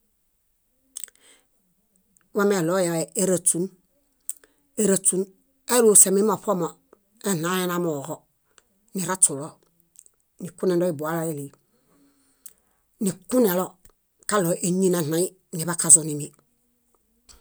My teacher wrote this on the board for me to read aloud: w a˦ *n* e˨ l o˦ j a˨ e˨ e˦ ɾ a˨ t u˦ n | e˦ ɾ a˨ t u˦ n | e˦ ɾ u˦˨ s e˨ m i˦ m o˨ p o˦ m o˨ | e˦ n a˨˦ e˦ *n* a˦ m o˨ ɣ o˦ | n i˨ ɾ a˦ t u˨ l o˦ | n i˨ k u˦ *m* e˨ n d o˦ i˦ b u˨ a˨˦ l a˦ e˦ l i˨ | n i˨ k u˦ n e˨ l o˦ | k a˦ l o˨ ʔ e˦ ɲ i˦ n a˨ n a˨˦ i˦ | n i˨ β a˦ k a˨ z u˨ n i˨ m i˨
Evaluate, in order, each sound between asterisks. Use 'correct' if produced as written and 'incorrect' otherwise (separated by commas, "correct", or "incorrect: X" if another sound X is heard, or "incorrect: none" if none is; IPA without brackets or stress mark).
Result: incorrect: m, correct, incorrect: n